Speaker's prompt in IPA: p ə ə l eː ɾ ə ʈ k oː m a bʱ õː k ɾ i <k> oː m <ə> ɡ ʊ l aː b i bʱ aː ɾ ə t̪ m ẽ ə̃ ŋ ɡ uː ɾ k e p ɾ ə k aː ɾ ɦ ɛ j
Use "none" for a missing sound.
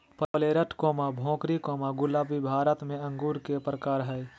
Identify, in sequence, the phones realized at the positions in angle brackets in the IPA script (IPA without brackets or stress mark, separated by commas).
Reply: k, a